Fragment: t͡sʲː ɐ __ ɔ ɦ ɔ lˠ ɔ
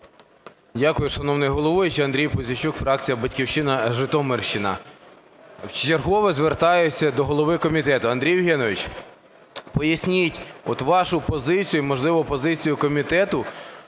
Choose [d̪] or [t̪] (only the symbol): d̪